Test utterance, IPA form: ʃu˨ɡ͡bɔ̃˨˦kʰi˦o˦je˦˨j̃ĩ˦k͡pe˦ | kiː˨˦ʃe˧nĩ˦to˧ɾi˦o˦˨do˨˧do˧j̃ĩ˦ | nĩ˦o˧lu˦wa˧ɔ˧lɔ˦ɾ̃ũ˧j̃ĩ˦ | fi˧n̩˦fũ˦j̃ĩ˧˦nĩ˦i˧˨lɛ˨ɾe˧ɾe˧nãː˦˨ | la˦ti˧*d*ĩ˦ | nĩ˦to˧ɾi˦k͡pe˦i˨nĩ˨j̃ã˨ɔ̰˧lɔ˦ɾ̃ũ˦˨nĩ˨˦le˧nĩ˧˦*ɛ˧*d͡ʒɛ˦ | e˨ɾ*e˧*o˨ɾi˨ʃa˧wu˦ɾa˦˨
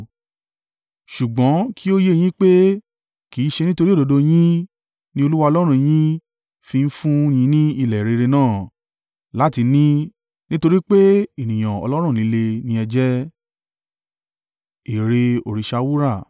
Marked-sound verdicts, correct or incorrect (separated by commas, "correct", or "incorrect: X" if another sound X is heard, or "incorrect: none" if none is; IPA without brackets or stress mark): incorrect: n, correct, correct